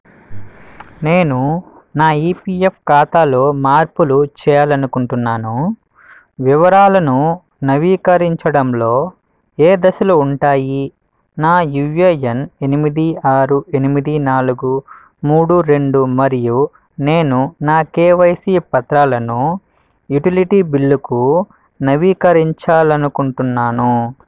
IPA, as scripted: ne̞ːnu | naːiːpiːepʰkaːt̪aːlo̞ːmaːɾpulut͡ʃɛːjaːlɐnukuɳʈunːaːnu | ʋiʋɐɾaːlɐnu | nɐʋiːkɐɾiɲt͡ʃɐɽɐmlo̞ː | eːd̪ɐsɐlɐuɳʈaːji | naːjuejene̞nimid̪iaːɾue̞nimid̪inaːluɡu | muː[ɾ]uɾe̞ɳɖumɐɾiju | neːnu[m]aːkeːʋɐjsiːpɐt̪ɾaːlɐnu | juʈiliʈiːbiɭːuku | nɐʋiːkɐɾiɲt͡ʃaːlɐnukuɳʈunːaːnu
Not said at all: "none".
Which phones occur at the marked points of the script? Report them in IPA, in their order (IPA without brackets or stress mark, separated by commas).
ɽ, n